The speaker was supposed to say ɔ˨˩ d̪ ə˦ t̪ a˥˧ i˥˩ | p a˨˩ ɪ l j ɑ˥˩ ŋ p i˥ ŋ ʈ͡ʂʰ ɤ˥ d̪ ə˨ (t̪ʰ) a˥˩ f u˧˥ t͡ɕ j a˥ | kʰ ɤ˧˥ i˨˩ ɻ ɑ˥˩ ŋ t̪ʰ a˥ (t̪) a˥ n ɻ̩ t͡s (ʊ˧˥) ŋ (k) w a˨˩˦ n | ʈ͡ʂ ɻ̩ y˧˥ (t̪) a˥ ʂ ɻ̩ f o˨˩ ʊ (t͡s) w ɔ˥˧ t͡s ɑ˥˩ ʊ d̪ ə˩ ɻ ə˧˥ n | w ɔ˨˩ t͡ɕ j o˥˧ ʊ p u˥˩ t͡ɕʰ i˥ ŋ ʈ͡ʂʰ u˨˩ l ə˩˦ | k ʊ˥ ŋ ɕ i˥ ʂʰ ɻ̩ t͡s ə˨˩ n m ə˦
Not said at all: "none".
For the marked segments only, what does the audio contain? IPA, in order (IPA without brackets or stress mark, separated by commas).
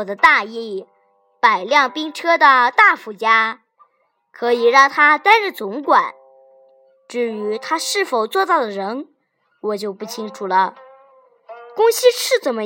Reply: t̪, t̪, ʊ˧˥, k, t̪ʰ, t͡s